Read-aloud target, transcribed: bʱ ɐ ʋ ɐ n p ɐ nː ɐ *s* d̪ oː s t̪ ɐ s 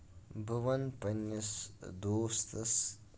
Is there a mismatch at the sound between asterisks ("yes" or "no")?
no